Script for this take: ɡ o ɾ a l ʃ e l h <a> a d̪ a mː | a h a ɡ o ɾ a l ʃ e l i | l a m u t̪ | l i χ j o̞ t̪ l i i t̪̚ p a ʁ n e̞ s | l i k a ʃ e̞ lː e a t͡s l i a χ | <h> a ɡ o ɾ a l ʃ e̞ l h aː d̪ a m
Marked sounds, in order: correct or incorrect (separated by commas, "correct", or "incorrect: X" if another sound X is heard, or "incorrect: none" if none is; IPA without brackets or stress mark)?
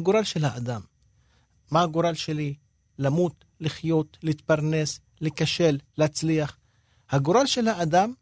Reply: correct, correct